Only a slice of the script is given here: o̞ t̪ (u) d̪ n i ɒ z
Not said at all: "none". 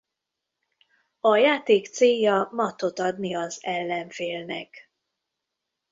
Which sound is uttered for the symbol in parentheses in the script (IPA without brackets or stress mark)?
ɒ